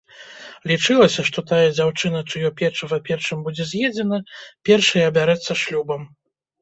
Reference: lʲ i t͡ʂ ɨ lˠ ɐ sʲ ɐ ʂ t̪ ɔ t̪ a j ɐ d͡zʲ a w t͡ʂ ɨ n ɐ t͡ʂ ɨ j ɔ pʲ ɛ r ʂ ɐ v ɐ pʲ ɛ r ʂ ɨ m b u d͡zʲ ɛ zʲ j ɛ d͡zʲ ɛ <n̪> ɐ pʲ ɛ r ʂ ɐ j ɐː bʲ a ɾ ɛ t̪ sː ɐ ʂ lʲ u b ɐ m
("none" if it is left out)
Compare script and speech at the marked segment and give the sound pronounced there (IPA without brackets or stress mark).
n̪